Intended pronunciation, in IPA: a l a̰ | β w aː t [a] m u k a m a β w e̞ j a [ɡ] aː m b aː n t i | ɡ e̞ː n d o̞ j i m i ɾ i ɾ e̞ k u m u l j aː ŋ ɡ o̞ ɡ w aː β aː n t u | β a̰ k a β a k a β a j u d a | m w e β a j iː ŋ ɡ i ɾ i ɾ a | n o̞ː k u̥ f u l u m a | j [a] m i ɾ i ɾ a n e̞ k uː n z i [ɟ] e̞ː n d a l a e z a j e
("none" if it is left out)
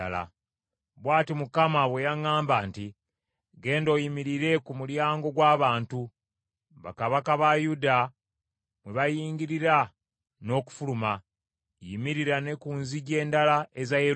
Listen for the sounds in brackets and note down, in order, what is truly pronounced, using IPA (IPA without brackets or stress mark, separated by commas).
i, ŋ, i, ɟ